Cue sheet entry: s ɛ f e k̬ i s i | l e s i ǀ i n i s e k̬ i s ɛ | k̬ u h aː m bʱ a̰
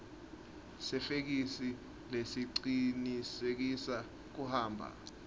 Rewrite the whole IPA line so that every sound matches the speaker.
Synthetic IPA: s ɛ f e k̬ i s i | l e s i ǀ i n i s e k̬ i s a | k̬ u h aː m bʱ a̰